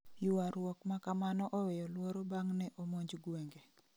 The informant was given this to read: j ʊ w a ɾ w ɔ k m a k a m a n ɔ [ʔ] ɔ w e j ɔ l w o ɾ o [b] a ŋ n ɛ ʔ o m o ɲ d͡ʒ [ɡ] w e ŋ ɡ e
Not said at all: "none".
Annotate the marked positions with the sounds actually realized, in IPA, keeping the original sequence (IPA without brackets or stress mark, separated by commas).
ʔ, b, ɡ